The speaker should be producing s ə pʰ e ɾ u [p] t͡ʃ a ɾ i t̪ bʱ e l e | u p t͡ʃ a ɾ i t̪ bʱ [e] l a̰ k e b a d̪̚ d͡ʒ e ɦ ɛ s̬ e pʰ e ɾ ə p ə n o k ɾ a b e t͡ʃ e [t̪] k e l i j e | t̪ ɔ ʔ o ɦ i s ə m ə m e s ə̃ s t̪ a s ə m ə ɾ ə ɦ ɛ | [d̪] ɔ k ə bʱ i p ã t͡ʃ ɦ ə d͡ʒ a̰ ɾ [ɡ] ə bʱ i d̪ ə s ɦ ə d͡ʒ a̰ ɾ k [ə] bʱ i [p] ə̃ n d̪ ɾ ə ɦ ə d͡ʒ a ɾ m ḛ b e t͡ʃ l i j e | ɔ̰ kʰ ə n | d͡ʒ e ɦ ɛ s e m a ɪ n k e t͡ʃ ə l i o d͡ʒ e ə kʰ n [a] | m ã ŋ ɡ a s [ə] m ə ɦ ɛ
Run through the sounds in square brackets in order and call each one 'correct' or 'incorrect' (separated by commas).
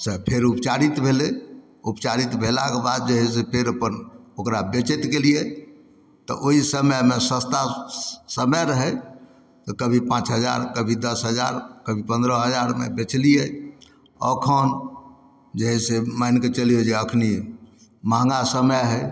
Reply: correct, correct, correct, incorrect, incorrect, correct, correct, incorrect, correct